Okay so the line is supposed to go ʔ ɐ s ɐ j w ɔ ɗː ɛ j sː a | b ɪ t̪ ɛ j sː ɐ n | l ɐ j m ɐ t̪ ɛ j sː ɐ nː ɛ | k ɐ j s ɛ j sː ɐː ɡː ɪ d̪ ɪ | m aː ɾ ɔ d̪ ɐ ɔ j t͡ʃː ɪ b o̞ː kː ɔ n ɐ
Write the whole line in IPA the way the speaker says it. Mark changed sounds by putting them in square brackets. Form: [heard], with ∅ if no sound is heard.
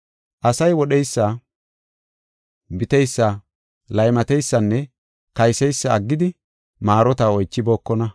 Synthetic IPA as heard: ʔ ɐ s ɐ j w ɔ [ɗ] ɛ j sː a | b ɪ t̪ ɛ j sː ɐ [∅] | l ɐ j m ɐ t̪ ɛ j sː ɐ nː ɛ | k ɐ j s ɛ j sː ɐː ɡː ɪ d̪ ɪ | m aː ɾ ɔ [t̪] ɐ ɔ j t͡ʃː ɪ b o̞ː kː ɔ n ɐ